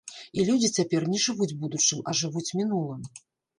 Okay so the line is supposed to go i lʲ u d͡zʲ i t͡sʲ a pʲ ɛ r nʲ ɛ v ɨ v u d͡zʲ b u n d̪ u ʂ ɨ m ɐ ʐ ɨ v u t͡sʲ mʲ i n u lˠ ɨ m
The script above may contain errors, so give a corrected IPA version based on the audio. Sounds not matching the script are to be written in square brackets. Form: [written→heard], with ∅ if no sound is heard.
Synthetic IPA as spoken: i lʲ u d͡zʲ i t͡sʲ a pʲ ɛ r nʲ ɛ [v→ʐ] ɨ v u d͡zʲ b u [n→∅] d̪ u [ʂ→t͡ʂ] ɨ m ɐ ʐ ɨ v u t͡sʲ mʲ i n u lˠ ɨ m